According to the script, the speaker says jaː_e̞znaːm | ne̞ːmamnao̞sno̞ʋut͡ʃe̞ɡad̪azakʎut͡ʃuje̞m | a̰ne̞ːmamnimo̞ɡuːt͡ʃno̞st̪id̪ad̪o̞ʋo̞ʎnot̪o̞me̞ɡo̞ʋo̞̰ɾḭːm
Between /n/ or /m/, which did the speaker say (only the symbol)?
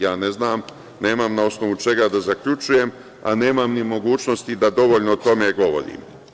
n